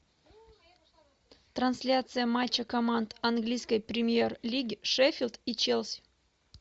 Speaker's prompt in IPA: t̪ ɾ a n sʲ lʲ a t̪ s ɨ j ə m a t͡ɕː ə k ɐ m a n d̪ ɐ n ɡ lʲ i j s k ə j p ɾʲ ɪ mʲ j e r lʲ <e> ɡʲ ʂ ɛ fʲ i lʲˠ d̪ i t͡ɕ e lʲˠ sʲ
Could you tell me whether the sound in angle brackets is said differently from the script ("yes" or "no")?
yes